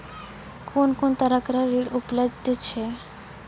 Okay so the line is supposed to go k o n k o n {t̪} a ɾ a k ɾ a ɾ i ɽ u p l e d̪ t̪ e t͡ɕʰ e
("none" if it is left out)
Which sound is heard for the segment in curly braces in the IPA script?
t̪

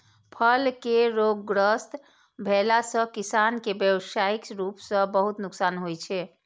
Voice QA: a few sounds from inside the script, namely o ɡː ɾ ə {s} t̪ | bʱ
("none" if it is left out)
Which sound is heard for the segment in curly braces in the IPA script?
s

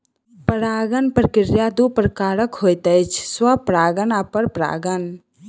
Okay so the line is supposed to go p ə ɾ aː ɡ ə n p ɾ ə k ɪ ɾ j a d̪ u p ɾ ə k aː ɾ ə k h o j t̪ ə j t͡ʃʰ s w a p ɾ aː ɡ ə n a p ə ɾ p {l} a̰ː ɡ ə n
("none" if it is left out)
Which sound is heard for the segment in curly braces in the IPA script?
ɾ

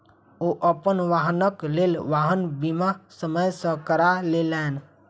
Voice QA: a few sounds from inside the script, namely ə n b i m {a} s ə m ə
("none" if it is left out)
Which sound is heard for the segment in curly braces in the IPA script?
a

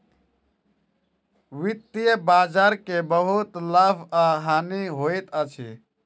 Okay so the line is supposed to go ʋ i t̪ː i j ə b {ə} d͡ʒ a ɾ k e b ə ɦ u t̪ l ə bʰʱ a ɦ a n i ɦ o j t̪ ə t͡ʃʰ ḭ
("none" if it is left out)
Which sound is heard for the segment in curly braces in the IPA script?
a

